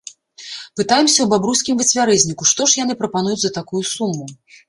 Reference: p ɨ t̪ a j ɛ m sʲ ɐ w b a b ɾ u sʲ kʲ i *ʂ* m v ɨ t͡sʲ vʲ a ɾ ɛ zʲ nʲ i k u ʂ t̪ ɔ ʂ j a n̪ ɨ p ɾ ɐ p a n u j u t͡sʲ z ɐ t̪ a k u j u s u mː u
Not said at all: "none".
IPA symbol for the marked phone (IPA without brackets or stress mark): none